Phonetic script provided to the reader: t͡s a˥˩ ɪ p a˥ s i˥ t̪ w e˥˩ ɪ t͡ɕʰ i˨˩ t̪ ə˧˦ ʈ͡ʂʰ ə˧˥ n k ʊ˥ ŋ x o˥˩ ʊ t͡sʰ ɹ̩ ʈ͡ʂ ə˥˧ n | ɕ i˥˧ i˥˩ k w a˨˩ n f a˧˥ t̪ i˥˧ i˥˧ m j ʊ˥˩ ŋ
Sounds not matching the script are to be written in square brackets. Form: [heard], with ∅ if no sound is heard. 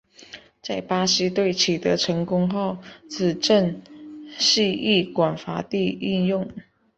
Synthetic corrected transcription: t͡s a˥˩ ɪ p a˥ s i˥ t̪ w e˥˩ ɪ t͡ɕʰ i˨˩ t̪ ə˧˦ ʈ͡ʂʰ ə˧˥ [ŋ] k ʊ˥ ŋ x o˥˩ ʊ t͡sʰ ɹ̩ ʈ͡ʂ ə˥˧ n | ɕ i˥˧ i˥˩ k w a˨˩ n f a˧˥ t̪ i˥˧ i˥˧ [n] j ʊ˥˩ ŋ